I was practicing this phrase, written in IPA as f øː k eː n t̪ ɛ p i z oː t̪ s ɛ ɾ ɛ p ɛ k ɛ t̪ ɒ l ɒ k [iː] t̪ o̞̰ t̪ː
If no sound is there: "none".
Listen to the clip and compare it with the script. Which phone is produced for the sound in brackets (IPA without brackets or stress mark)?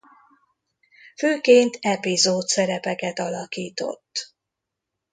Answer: iː